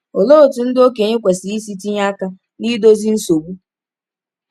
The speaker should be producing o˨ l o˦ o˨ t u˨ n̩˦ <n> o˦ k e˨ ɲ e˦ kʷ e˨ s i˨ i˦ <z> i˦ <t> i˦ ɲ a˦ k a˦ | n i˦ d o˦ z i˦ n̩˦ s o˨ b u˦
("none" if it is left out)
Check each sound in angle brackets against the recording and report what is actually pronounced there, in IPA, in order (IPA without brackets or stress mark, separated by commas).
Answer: d, s, t